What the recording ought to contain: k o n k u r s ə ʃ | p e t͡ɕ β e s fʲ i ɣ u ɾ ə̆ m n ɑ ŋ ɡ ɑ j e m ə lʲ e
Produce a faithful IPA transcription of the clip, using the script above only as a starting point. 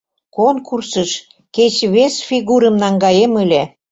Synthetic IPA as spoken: k o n k u r s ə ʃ | k e t͡ɕ β e s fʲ i ɣ u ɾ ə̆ m n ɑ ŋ ɡ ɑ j e m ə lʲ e